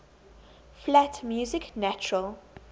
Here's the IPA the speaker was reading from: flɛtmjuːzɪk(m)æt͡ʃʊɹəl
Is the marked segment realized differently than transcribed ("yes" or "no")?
yes